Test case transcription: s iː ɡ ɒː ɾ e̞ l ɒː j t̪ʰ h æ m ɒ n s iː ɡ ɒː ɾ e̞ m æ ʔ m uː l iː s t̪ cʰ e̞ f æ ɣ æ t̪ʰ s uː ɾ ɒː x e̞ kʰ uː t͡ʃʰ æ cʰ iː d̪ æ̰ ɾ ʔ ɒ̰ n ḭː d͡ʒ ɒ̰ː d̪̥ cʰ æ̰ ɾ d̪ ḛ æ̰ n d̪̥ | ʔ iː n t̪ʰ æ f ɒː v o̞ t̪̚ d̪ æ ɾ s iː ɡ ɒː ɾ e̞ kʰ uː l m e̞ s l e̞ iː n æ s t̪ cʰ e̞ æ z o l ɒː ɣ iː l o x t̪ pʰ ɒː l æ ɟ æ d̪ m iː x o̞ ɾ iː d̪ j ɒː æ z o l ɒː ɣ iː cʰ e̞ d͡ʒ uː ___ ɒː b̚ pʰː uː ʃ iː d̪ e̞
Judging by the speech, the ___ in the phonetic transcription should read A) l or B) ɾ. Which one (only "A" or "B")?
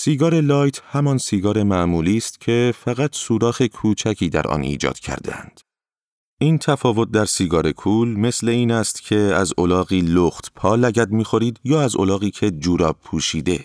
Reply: B